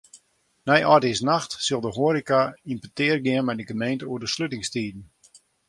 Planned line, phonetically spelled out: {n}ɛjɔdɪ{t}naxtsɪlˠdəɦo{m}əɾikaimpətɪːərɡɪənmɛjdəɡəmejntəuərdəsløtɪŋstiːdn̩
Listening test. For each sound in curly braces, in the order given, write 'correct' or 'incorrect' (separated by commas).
correct, incorrect, incorrect